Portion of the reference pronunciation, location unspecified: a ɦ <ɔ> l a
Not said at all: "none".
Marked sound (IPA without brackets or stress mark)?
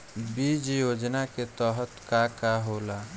o